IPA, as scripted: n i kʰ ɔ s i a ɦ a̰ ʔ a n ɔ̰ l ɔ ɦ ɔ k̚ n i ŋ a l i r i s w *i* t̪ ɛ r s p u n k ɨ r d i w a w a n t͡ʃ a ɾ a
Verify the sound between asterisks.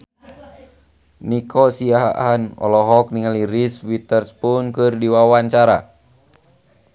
correct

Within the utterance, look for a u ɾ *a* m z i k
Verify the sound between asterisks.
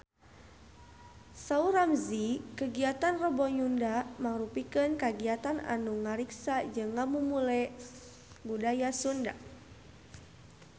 correct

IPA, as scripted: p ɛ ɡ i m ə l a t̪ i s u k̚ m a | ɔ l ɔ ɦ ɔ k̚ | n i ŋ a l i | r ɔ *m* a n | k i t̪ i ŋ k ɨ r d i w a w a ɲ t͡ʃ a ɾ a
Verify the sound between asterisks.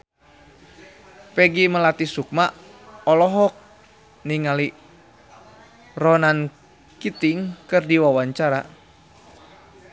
incorrect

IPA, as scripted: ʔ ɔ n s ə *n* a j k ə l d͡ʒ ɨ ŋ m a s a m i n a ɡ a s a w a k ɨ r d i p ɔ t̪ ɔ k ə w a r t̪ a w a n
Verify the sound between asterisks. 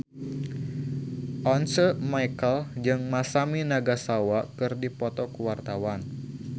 incorrect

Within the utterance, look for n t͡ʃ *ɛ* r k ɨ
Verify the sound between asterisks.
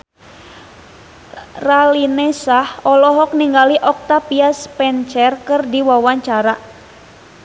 correct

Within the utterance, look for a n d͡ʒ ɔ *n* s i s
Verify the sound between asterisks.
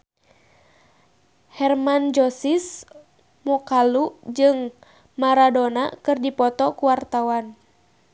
incorrect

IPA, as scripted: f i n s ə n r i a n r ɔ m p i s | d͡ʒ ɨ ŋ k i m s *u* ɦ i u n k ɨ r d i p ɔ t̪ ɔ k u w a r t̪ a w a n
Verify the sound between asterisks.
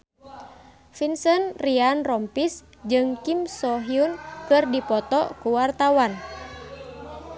incorrect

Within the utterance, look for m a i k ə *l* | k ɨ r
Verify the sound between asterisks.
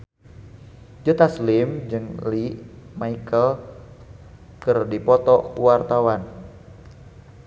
correct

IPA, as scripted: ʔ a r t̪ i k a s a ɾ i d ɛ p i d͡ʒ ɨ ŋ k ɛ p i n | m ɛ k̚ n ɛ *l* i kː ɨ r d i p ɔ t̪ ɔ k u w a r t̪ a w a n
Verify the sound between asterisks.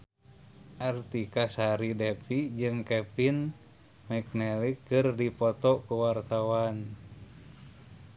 correct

